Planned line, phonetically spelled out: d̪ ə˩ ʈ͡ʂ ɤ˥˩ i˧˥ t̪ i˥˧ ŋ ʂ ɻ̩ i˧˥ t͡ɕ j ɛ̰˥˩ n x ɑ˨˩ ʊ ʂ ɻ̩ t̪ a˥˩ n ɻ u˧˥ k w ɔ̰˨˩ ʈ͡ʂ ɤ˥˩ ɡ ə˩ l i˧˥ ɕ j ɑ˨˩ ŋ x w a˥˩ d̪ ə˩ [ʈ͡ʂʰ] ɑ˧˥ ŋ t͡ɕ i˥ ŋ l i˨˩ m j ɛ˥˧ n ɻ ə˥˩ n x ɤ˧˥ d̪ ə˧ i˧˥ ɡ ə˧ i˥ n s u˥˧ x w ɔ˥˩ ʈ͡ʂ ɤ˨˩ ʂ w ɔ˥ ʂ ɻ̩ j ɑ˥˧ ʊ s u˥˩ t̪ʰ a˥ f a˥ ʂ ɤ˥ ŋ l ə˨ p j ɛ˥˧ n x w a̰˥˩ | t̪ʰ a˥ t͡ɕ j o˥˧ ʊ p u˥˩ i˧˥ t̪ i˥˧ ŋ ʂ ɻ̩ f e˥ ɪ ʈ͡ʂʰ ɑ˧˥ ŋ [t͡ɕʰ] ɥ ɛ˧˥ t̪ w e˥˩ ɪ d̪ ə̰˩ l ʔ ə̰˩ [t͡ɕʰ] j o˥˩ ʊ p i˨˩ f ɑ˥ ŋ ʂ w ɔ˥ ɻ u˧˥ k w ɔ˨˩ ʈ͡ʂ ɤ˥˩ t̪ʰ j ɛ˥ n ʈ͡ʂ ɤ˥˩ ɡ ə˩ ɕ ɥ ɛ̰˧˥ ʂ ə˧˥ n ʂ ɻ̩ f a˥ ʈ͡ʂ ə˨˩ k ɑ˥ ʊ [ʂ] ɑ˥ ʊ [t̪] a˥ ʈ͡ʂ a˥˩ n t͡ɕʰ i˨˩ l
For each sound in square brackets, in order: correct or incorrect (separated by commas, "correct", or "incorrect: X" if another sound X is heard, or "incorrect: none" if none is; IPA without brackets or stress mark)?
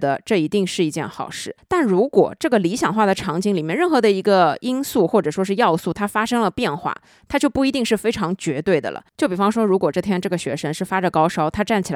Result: correct, incorrect: t͡ɕ, incorrect: t͡ɕ, correct, incorrect: t̪ʰ